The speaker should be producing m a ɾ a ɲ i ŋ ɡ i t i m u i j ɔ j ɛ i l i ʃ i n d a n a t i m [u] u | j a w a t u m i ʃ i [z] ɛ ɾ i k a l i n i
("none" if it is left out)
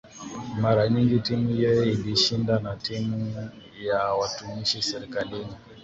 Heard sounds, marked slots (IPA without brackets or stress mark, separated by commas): u, s